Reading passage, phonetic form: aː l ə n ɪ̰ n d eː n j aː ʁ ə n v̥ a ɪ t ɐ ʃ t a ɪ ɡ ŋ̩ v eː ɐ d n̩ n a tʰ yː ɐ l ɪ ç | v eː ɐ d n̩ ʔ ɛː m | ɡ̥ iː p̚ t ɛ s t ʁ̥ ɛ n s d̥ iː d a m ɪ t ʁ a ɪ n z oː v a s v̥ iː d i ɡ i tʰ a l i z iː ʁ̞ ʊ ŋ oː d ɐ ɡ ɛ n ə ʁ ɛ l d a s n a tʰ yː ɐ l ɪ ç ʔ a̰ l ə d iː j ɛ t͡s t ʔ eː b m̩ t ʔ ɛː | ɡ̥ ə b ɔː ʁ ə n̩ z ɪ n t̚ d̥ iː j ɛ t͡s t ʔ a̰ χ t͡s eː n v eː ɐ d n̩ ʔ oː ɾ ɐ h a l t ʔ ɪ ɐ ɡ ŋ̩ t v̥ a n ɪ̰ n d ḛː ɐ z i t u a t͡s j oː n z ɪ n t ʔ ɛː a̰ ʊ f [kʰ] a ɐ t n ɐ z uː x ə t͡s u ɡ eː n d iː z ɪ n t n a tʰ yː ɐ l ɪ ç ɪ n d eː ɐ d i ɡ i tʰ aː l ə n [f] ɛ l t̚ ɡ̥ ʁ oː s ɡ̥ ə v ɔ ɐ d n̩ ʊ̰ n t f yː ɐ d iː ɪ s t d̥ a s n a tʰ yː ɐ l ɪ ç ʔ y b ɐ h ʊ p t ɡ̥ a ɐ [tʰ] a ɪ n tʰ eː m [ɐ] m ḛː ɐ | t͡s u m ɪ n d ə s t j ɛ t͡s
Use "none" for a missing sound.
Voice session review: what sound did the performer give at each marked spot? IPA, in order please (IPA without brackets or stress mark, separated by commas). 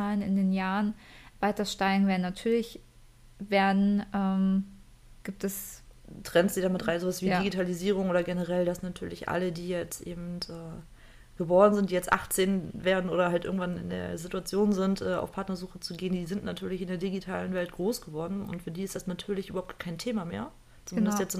pʰ, v, kʰ, a